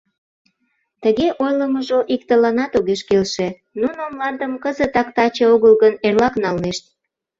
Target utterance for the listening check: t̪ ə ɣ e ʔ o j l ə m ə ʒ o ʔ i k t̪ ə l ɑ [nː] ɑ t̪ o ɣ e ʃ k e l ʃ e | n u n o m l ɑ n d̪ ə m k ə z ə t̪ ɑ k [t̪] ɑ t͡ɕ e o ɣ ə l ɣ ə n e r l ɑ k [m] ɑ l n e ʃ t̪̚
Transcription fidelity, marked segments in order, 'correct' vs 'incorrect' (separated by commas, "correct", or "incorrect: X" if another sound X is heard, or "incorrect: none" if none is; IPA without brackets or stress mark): incorrect: n, correct, incorrect: n